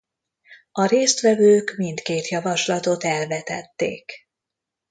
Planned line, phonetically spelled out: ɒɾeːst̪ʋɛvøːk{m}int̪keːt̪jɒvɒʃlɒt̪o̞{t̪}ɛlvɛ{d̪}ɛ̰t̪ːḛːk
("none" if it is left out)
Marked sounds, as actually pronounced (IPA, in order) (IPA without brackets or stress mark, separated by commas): m, t̪, t̪